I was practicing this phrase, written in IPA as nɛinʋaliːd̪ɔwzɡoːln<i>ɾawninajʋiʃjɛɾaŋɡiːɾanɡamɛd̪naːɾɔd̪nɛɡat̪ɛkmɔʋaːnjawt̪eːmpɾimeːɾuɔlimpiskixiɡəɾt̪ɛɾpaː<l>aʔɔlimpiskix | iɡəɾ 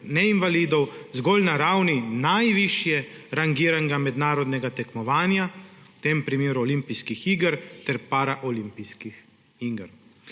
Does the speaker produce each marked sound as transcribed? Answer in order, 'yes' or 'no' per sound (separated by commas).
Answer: no, no